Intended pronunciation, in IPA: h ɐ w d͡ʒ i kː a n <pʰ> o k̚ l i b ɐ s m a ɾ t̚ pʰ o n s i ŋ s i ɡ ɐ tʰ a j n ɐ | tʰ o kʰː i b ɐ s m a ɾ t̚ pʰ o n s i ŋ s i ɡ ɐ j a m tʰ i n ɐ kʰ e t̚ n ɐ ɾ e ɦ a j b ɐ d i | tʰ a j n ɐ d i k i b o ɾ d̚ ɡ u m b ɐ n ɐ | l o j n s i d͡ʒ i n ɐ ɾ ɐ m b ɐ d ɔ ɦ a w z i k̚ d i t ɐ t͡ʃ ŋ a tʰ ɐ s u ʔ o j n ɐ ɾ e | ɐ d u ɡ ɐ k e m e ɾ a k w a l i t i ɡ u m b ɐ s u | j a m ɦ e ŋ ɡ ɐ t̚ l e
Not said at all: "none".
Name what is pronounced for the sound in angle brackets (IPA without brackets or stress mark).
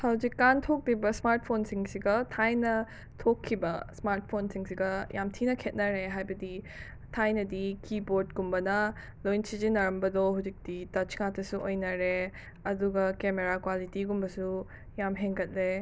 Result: tʰ